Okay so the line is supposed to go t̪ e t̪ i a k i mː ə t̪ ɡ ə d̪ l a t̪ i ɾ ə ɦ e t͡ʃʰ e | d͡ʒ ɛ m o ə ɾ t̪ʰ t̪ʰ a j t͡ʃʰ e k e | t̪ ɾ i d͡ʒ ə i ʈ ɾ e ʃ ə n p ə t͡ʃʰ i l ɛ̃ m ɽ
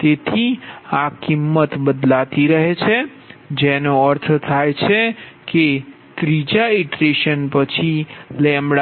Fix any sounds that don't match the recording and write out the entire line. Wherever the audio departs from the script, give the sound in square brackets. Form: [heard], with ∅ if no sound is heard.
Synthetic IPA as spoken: t̪ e [t̪ʰ] i a k i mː ə t̪ [b] ə d̪ l a t̪ i ɾ ə ɦ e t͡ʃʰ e | d͡ʒ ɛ [n] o ə ɾ t̪ʰ t̪ʰ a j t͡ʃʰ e k e | t̪ ɾ i d͡ʒ [a] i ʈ ɾ e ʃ ə n p ə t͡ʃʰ i l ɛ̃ m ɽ